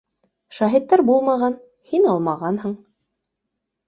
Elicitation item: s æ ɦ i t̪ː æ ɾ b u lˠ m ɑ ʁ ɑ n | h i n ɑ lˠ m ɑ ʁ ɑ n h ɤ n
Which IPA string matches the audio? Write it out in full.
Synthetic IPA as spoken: ʃ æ ɦ i t̪ː æ ɾ b u lˠ m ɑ ʁ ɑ n | h i n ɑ lˠ m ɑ ʁ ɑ n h ɤ ɴ